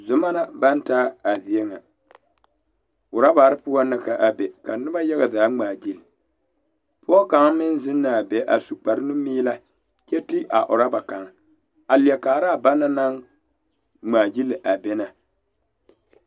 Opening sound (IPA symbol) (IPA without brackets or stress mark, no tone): z